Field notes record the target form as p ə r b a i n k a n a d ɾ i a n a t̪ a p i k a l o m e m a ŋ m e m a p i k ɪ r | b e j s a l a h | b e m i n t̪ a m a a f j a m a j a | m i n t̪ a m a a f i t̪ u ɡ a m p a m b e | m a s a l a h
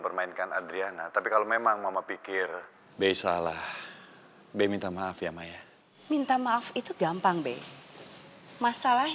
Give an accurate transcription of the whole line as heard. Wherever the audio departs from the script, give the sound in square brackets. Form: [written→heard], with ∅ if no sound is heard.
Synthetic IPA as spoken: p ə r [b→m] a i n k a n a d ɾ i a n a t̪ a p i k a l o m e m a ŋ m [e→a] m a p i k ɪ r | b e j s a l a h | b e m i n t̪ a m a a f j a m a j a | m i n t̪ a m a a f i t̪ u ɡ a m p a [m→ŋ] b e | m a s a l a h